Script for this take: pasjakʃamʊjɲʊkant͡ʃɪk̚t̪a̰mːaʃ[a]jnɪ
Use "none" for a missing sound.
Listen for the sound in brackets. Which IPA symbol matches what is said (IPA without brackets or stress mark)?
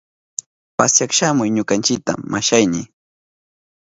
a